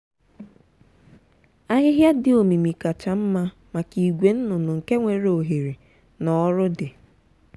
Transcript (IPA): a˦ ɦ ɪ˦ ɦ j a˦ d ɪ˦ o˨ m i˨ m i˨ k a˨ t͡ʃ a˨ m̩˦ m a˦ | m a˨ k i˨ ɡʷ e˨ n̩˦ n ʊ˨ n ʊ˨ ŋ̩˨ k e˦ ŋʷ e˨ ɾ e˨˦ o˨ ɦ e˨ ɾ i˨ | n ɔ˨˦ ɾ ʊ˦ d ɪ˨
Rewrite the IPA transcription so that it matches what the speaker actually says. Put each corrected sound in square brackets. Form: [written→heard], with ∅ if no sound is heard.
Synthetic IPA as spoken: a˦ ɦ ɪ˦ ɦ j a˦ d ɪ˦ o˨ m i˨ m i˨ k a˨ t͡ʃ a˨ m̩˦ m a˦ | m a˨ k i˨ ɡʷ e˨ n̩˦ n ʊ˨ n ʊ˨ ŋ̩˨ k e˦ ŋʷ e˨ ɾ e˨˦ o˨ ɦ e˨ ɾ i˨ | n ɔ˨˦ ɾ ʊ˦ d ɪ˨